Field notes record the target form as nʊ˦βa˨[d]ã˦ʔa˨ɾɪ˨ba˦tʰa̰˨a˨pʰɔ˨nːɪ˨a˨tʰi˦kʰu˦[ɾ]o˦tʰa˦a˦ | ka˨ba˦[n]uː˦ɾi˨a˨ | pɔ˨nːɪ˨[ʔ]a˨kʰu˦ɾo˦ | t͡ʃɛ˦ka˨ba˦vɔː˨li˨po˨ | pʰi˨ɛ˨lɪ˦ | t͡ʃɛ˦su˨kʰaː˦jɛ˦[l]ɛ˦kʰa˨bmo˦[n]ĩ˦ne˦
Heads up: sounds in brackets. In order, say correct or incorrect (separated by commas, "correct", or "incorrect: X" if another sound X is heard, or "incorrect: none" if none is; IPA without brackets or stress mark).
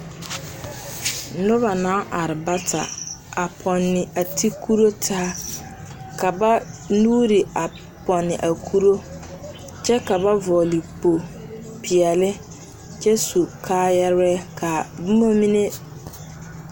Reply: incorrect: n, correct, correct, correct, incorrect: ɾ, incorrect: m